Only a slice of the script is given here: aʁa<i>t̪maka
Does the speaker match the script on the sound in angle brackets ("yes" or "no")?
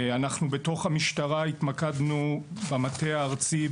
yes